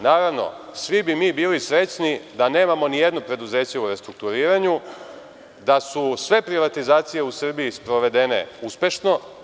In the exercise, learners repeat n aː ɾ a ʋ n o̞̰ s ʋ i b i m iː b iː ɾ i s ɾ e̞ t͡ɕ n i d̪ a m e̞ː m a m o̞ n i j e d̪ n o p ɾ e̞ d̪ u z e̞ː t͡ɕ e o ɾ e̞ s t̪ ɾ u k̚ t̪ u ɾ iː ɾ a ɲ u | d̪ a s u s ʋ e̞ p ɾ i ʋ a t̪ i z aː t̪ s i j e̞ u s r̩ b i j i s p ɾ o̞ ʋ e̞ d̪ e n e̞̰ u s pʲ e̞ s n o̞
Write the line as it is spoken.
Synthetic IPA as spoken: n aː ɾ a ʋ n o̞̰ s ʋ i b i m iː b iː l i s ɾ e̞ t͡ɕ n i d̪ a n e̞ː m a m o̞ n i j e d̪ n o p ɾ e̞ d̪ u z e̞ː t͡ɕ e u ɾ e̞ s t̪ ɾ u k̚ t̪ u ɾ iː ɾ a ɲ u | d̪ a s u s ʋ e̞ p ɾ i ʋ a t̪ i z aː t̪ s i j e̞ u s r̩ b i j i s p ɾ o̞ ʋ e̞ d̪ e n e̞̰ u s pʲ e̞ ʃ n o̞